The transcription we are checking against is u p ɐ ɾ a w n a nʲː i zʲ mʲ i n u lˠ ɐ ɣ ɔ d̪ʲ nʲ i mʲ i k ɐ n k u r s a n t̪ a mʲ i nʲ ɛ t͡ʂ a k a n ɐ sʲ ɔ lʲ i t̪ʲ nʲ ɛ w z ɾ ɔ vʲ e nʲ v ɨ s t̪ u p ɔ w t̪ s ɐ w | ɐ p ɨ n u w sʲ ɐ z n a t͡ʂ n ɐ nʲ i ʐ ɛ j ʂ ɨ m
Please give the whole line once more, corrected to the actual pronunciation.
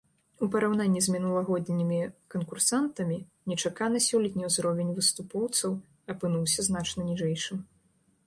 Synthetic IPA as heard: u p ɐ ɾ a w n a nʲː i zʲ mʲ i n u lˠ ɐ ɣ ɔ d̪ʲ nʲ i mʲ i k ɐ n k u r s a n t̪ ɐ mʲ i nʲ ɛ t͡ʂ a k a n ɐ sʲ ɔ lʲ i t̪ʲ nʲ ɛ w z ɾ ɔ vʲ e nʲ v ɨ s t̪ u p ɔ w t̪ s ɐ w | ɐ p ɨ n u w sʲ ɐ z n a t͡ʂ n ɐ nʲ i ʐ ɛ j ʂ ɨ m